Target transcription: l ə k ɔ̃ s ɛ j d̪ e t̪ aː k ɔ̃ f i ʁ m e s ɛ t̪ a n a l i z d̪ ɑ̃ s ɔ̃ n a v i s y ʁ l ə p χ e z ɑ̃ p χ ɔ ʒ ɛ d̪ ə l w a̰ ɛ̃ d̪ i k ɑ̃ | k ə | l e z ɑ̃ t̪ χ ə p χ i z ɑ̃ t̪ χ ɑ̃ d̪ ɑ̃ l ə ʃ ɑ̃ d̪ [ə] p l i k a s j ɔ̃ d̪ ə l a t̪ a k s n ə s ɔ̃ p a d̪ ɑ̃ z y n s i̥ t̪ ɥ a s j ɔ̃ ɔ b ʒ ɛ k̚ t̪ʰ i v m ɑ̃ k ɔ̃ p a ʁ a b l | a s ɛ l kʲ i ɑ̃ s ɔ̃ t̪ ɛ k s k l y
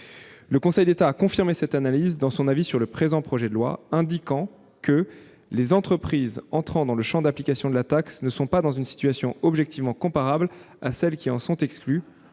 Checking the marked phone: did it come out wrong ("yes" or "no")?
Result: yes